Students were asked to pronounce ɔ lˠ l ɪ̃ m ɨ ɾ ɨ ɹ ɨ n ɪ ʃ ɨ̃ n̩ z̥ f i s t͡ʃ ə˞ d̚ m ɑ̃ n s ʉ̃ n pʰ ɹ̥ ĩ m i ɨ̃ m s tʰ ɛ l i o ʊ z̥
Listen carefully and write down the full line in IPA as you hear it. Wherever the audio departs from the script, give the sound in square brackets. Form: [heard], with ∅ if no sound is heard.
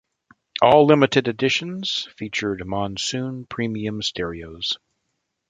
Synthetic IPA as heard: ɔ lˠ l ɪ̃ m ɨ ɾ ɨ [ɾ] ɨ [d] ɪ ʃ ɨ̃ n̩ z̥ f i [∅] t͡ʃ ə˞ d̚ m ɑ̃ n s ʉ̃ n pʰ ɹ̥ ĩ m i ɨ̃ m s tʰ ɛ [ɹ] i o ʊ z̥